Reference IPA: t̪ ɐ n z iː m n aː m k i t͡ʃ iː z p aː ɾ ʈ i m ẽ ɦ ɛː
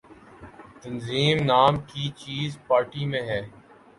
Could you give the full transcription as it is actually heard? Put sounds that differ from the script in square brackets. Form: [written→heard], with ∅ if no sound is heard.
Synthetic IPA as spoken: t̪ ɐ n z iː m n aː m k i t͡ʃ iː z p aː ɾ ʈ i m ẽ ɦ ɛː